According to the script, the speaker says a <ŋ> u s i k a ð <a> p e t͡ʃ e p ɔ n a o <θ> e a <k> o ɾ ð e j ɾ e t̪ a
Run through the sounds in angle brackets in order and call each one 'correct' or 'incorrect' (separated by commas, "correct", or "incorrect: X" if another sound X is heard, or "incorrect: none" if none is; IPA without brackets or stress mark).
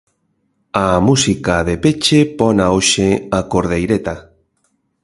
incorrect: m, incorrect: e, incorrect: ʃ, correct